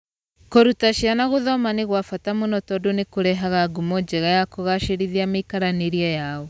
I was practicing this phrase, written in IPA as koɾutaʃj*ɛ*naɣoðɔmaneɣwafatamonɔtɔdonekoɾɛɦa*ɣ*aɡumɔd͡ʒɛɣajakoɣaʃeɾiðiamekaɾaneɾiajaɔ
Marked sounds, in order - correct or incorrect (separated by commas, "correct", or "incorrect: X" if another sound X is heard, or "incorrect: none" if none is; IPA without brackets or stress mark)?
incorrect: a, correct